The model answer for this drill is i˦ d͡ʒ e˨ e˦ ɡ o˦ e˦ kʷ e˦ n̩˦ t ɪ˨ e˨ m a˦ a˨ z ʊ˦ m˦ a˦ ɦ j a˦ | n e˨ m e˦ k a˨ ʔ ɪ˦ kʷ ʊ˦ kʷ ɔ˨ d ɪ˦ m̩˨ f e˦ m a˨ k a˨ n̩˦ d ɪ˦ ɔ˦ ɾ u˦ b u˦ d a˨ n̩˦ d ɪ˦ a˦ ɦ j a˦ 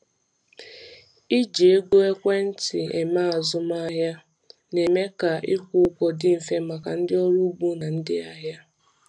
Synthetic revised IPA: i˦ d͡ʒ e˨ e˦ ɡ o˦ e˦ kʷ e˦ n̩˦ t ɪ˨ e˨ m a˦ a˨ z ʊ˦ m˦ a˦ ɦ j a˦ | n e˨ m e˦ k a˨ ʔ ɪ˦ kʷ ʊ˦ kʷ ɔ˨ d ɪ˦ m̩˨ f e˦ m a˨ k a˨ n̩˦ d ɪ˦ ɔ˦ ɾ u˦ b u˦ n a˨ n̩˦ d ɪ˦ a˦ ɦ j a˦

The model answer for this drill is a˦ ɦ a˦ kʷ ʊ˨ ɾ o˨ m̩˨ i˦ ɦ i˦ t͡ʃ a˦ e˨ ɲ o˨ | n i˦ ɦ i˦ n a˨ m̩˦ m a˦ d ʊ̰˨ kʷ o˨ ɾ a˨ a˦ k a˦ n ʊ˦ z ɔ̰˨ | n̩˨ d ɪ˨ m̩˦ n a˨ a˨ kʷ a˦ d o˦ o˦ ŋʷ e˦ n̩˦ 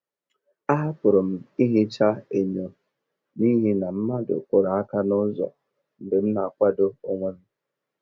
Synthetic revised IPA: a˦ ɦ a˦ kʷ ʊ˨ ɾ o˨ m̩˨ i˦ ɦ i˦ t͡ʃ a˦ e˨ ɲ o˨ | n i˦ ɦ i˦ n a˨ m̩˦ m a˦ d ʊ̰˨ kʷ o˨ ɾ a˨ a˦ k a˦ n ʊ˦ z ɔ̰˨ | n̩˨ d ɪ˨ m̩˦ n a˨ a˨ kʷ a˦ d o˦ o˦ ŋʷ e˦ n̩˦

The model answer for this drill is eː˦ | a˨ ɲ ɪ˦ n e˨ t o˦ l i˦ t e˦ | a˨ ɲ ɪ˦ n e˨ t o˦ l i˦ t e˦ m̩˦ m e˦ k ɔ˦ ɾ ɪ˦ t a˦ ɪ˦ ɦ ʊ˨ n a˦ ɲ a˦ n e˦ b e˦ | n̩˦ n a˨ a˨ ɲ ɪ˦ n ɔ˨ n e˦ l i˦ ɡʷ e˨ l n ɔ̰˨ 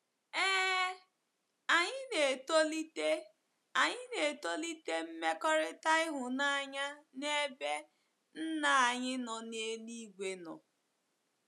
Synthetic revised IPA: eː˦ | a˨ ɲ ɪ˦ n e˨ t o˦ l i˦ t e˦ | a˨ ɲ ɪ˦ n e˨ t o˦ l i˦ t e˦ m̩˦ m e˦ k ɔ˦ ɾ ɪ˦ t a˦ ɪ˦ ɦ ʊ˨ n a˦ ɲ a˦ n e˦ b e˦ | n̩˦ n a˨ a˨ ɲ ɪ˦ n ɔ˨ n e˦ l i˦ ɡʷ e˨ n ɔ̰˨

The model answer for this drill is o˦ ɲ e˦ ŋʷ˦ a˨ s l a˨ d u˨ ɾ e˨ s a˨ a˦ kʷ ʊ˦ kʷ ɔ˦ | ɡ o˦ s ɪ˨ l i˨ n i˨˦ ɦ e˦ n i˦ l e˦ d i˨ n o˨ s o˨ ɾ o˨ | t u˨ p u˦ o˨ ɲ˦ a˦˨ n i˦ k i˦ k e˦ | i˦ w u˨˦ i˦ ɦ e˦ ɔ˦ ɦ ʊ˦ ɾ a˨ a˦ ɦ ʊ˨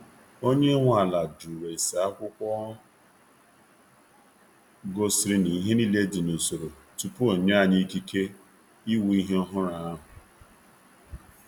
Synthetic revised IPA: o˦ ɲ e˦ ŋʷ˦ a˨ l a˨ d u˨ ɾ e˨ s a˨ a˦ kʷ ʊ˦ kʷ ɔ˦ | ɡ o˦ s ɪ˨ ɾ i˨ n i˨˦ ɦ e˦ n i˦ l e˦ d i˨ n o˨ s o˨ ɾ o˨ | t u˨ p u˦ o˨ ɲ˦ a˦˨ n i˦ k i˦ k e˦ | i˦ w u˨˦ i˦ ɦ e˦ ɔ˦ ɦ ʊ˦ ɾ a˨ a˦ ɦ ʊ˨

